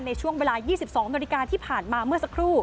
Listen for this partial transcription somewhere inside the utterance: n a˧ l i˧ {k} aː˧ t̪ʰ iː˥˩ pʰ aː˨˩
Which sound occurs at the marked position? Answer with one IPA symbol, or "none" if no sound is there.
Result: k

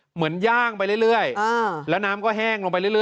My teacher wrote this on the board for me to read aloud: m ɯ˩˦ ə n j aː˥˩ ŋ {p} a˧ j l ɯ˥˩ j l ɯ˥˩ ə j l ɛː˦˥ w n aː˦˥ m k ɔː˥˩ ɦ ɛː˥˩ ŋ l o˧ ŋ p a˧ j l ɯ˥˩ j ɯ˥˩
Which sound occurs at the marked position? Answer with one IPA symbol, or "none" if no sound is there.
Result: p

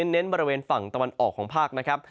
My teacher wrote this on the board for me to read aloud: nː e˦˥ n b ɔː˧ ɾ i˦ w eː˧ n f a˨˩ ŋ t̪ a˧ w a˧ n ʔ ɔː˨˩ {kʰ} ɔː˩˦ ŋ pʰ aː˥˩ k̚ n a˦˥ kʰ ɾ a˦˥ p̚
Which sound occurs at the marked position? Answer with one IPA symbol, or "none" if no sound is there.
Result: kʰ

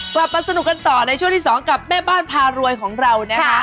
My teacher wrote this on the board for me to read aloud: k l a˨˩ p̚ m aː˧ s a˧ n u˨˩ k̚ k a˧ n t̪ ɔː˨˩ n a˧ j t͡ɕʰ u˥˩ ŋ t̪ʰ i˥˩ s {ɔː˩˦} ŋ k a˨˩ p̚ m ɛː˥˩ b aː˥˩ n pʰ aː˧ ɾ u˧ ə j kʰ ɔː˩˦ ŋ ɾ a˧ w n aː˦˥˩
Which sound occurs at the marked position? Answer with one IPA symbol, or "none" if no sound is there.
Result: ɔː˩˦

